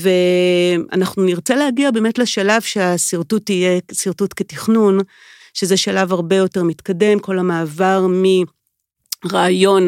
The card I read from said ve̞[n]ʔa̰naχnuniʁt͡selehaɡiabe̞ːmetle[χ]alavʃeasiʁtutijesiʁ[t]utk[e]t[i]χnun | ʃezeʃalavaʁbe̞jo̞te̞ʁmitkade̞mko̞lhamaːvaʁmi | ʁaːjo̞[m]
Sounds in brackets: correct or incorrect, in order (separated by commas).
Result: incorrect, incorrect, correct, correct, correct, incorrect